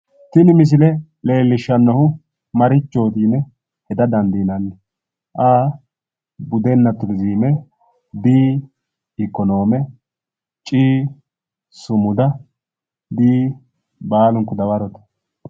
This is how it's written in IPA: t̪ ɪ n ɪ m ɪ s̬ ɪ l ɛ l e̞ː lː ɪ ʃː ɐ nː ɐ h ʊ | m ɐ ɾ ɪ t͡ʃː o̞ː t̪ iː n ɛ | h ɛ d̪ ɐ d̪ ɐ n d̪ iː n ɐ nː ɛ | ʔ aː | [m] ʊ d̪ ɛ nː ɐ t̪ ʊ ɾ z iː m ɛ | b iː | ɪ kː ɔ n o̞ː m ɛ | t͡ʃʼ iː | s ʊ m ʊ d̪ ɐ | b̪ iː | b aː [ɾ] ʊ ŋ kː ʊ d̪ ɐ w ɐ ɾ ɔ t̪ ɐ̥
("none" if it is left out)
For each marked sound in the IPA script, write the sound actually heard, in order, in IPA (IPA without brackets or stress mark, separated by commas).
b, l